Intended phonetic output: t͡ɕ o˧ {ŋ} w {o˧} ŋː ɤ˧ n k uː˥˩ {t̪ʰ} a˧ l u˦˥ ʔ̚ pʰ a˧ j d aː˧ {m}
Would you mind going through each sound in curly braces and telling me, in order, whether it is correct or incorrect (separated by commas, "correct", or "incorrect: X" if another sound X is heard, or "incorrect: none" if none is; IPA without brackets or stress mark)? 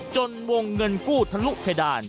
incorrect: n, correct, correct, incorrect: n